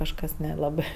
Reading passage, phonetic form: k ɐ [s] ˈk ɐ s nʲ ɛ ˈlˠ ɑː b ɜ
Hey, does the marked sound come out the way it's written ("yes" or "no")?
no